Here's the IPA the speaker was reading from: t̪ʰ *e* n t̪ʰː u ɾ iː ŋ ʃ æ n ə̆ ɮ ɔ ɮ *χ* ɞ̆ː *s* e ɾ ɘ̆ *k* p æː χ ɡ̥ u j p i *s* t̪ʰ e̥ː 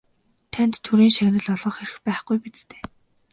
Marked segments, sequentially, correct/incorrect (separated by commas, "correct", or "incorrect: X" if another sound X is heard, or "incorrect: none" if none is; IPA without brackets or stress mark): incorrect: æ, incorrect: ʁ, incorrect: χ, incorrect: x, incorrect: t͡s